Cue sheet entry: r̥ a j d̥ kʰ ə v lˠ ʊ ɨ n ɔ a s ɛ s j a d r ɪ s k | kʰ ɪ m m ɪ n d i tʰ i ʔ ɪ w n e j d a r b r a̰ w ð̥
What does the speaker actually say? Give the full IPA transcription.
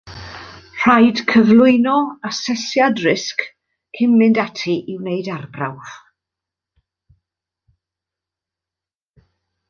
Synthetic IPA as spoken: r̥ a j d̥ kʰ ə v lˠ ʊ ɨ n ɔ a s ɛ s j a d r ɪ s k | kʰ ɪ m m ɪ n d a tʰ i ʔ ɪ w n e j d a r b r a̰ w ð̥